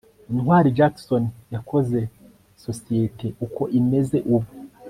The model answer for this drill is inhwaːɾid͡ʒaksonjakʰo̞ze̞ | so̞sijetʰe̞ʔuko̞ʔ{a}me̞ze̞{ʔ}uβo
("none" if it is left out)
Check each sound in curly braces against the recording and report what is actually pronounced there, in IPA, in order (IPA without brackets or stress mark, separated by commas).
i, ʔ